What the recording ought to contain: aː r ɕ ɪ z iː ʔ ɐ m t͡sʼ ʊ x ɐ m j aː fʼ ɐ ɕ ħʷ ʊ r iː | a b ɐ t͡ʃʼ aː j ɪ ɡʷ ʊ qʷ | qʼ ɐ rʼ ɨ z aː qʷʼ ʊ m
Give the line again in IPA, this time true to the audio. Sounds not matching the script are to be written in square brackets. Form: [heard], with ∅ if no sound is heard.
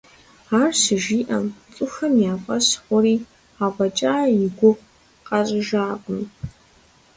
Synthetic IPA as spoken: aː r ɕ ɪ [ʒ] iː ʔ ɐ m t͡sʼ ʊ x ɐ m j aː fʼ ɐ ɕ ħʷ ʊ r iː | a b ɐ t͡ʃʼ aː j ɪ ɡʷ ʊ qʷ | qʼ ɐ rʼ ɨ [ʒ] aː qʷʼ ʊ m